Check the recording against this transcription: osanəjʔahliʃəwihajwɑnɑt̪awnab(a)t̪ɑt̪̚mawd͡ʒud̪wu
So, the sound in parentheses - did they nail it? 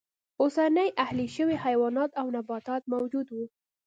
no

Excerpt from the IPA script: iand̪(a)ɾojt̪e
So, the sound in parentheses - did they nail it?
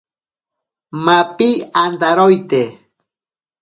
yes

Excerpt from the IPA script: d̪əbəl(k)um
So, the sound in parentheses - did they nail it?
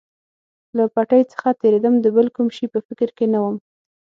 yes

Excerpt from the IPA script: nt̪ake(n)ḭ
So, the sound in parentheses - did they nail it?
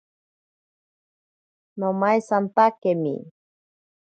no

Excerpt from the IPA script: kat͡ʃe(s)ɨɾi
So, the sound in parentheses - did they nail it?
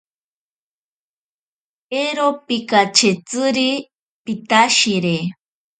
no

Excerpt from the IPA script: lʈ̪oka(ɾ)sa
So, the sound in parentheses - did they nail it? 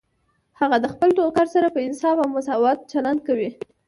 yes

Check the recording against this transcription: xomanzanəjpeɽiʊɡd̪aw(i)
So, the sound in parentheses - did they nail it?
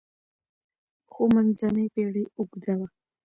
no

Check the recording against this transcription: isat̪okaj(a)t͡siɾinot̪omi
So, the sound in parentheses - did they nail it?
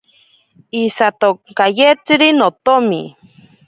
no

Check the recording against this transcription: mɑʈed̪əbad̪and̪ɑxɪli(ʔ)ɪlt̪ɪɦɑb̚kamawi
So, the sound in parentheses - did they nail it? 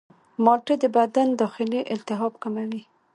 yes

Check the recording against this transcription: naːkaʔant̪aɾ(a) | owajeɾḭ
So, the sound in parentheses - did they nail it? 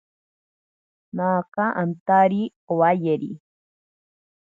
no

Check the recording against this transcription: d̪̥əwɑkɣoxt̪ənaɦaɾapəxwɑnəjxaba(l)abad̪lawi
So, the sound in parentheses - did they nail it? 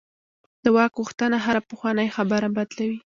no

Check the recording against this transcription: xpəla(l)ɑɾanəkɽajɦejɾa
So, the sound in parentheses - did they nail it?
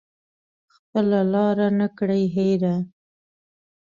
yes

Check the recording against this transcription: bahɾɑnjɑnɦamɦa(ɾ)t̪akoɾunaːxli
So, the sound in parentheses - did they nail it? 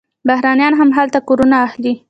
no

